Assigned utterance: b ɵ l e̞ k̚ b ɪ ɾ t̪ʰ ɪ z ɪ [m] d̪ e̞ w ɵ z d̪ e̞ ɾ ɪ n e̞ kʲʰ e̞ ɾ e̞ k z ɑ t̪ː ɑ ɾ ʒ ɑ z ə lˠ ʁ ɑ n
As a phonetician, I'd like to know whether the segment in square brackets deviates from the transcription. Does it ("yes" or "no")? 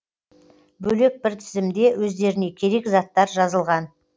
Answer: no